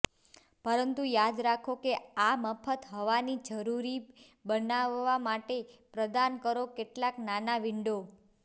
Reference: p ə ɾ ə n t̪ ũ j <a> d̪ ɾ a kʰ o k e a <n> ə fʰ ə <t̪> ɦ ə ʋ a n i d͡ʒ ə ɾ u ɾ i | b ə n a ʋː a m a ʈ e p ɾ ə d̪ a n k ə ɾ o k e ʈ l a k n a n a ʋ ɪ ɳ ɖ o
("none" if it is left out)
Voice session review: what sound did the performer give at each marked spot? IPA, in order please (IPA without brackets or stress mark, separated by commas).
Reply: a, m, t̪